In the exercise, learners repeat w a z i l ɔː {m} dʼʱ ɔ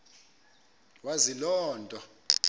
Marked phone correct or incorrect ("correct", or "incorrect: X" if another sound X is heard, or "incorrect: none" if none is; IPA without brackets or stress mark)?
incorrect: n